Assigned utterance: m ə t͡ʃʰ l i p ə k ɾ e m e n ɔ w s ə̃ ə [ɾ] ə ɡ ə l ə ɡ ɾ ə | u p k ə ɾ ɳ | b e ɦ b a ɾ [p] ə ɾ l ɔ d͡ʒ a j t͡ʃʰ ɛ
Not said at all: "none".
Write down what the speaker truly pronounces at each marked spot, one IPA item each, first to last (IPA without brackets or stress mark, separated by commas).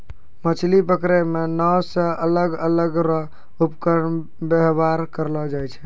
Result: l, k